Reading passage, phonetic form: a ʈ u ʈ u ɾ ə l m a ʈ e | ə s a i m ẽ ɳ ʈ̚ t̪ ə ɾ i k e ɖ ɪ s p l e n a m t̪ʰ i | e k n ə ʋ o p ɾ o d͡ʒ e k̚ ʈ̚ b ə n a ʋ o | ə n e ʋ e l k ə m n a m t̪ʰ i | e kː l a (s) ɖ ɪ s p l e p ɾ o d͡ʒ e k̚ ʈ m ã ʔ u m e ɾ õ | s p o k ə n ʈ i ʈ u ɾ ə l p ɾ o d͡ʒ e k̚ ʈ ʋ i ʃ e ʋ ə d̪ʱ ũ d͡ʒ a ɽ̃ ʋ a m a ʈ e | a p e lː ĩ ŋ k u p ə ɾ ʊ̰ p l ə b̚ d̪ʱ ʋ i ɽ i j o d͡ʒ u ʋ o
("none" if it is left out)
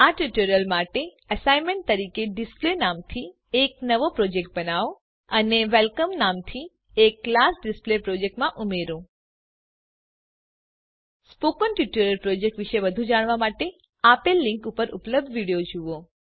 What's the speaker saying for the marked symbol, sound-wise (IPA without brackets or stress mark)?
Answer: s